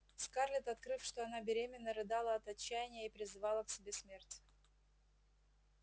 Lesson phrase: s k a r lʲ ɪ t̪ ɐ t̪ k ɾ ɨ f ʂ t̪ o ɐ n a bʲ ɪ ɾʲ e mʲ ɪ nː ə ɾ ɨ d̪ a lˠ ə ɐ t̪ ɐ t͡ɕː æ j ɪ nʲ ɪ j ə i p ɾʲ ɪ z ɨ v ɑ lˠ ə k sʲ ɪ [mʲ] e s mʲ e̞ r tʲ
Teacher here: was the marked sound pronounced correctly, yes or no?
no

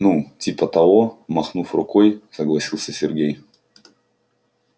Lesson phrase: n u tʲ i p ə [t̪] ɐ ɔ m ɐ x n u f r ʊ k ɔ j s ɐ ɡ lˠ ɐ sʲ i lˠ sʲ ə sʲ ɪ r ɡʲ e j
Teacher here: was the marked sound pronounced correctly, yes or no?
yes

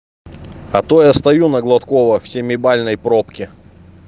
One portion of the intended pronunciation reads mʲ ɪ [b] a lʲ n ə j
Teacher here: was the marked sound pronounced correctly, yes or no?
yes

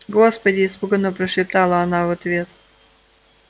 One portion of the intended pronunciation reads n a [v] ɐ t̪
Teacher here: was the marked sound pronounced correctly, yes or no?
yes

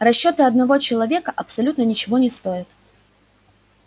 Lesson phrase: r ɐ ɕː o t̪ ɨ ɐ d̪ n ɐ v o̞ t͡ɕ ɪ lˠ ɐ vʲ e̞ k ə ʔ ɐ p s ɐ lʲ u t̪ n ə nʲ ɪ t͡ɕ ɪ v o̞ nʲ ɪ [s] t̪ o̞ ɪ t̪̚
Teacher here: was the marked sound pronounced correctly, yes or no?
yes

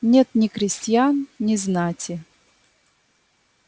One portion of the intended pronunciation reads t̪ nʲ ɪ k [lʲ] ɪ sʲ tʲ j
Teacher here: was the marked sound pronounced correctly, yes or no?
no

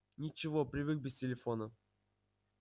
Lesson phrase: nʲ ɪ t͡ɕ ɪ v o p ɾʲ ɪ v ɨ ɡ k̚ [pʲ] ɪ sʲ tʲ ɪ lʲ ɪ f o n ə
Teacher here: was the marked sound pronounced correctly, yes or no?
no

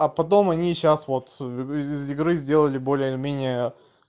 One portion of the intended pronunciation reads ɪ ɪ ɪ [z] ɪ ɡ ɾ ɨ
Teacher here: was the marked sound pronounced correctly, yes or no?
yes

